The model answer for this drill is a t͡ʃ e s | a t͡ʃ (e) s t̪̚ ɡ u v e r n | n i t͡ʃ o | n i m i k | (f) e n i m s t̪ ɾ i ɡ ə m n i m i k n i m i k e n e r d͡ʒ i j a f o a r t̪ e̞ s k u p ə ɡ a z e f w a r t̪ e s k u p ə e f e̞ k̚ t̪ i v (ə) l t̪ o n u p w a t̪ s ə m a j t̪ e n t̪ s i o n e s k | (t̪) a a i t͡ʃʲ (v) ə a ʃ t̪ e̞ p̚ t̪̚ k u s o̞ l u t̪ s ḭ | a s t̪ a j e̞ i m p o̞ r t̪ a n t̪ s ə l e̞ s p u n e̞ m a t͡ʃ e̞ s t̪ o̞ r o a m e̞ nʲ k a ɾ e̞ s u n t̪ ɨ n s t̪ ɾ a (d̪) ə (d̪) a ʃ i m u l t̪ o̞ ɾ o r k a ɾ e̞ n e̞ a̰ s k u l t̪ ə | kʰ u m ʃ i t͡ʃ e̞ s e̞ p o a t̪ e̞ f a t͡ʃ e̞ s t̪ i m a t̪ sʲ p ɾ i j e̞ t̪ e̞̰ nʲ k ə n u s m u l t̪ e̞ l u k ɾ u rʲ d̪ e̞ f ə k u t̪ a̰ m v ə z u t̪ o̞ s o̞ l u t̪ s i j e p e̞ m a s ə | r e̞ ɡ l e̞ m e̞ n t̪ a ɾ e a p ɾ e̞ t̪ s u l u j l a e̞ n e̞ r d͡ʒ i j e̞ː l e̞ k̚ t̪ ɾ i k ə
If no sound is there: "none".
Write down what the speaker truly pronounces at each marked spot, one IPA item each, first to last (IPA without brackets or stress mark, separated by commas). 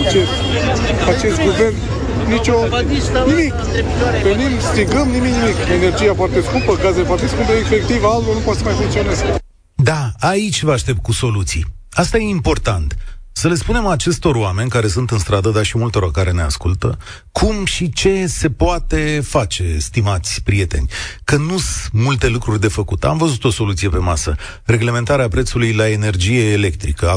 e, v, a, d̪, v, d̪, d̪